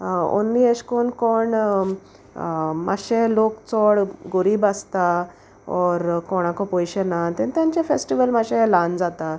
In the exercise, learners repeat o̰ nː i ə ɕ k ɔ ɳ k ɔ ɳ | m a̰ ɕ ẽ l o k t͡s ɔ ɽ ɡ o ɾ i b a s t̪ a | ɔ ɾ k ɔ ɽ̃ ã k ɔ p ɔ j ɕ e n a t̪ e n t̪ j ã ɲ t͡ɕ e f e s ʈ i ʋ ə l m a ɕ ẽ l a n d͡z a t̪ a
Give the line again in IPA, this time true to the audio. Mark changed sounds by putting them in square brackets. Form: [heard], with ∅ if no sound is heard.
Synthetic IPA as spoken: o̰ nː i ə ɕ k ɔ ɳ k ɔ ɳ | m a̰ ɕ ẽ l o k t͡s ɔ ɽ ɡ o ɾ i b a s t̪ a | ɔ ɾ k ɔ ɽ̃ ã k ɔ p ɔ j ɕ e n a t̪ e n t̪ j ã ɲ t͡ɕ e f e s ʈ i ʋ ə l m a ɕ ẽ l a n d͡z a t̪ a

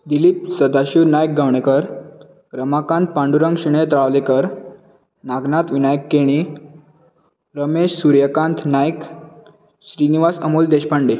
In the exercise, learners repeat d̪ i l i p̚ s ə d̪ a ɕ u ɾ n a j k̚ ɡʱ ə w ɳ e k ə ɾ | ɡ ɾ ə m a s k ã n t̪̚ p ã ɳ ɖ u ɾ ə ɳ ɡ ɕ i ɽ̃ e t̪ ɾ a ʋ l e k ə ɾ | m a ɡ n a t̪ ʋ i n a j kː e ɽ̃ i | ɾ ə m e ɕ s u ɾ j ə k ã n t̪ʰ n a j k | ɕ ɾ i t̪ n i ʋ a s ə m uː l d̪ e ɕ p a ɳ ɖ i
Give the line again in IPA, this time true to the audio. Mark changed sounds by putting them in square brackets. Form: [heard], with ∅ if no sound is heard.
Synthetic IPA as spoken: d̪ i l i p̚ s ə d̪ a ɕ u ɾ n a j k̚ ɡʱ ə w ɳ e k ə ɾ | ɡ ɾ ə m a [∅] k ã n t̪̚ p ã ɳ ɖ u ɾ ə [ŋ] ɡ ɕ i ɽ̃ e t̪ ɾ a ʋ l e k ə ɾ | [n] a ɡ n a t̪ ʋ i n a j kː e ɽ̃ i | ɾ ə m e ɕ s u ɾ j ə k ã n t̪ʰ n a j k | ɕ ɾ i [∅] n i ʋ a s ə m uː l d̪ e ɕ p a ɳ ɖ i

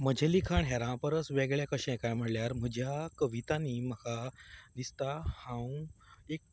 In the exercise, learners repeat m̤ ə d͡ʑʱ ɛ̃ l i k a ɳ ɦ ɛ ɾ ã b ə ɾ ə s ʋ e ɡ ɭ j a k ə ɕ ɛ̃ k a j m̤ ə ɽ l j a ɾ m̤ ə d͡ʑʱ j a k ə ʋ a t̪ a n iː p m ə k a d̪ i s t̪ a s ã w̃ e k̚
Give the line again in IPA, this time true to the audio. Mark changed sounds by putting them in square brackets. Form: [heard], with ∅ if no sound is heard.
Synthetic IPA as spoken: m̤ ə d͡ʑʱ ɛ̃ l i [kʰ] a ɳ ɦ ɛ ɾ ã [p] ə ɾ ə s ʋ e ɡ ɭ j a k ə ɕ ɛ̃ k a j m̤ ə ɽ l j a ɾ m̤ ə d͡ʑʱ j a k ə ʋ [i] t̪ a n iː [∅] m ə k a d̪ i s t̪ a [h] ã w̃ e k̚

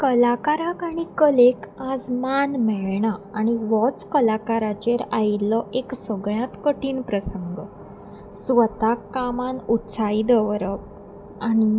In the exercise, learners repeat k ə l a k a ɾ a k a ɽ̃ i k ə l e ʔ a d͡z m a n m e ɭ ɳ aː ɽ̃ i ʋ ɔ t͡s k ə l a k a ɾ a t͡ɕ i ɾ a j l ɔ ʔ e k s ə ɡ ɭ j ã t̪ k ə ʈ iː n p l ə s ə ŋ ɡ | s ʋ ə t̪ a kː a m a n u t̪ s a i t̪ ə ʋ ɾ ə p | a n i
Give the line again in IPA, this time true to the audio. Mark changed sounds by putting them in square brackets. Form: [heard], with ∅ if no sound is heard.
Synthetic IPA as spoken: k ə l a k a ɾ a k a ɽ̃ i k ə l e [k] a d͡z m a n m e ɭ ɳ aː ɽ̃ i ʋ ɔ t͡s k ə l a k a ɾ a t͡ɕ [e] ɾ a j l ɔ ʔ e k s ə ɡ ɭ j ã t̪ k ə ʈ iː n p [ɾ] ə s ə ŋ ɡ | s ʋ ə t̪ a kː a m a n u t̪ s a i [d̪] ə ʋ ɾ ə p | a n i

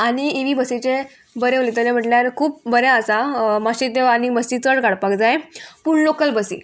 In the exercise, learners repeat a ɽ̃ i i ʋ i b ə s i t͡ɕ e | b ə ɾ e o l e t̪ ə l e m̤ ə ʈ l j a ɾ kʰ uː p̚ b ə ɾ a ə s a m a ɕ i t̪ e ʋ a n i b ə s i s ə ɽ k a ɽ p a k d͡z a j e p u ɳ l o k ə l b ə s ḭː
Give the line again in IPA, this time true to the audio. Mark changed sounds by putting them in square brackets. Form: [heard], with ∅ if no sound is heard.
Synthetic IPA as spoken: a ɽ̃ i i ʋ i b ə s i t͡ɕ e | b ə ɾ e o l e t̪ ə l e m̤ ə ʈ l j a ɾ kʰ uː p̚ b ə ɾ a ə s a m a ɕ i t̪ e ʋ a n i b ə s i [t͡s] ə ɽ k a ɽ p a k d͡z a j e p u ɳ l o k ə l b ə s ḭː

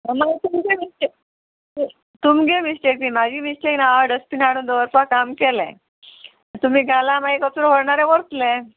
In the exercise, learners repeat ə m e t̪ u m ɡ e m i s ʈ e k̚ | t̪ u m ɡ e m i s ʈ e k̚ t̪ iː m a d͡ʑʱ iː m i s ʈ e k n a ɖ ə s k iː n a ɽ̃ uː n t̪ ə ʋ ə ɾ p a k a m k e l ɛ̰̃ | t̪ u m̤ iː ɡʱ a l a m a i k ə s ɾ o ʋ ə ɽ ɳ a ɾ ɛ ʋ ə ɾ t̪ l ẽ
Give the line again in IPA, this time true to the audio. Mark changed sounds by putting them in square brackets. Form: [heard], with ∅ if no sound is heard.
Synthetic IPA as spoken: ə m [a] t̪ u m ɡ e m i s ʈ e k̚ | t̪ u m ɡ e m i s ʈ e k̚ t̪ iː m a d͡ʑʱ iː m i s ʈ e k n a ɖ ə s [p] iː n a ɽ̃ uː n [d̪] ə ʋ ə ɾ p a k a m k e l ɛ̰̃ | t̪ u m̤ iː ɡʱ a l a m a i k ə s ɾ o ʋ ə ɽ ɳ a ɾ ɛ ʋ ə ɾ t̪ l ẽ

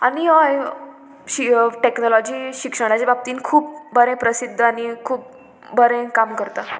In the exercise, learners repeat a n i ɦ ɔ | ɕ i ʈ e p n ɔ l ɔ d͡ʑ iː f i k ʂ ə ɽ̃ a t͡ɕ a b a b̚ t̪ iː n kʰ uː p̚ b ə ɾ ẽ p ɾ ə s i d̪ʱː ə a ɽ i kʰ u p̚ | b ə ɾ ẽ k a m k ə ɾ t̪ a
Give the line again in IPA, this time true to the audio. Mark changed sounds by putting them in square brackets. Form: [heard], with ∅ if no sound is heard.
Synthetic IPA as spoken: a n i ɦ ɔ | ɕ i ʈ e [k] n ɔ l ɔ d͡ʑ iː [ɕ] i k ʂ ə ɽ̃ a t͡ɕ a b a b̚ t̪ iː n kʰ uː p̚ b ə ɾ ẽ p ɾ ə s i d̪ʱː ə a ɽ i kʰ [uː] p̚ | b ə ɾ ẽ k a m k ə ɾ t̪ a

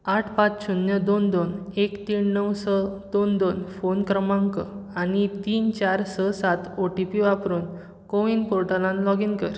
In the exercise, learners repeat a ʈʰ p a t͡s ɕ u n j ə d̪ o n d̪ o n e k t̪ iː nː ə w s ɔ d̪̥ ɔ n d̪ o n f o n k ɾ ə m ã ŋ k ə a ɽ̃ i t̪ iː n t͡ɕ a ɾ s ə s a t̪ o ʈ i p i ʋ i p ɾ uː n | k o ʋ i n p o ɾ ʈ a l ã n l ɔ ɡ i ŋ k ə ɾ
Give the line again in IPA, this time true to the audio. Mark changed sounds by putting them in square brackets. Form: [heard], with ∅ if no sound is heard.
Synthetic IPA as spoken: a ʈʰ p a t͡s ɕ u n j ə d̪ o n d̪ o n e k t̪ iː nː ə w s ɔ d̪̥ [o] n d̪ o n f o n k ɾ ə m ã ŋ k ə a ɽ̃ i t̪ iː n t͡ɕ a ɾ s ə s a t̪ o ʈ i p i ʋ [a] p ɾ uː n | k o ʋ i n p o ɾ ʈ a l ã n l ɔ ɡ i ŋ k ə ɾ

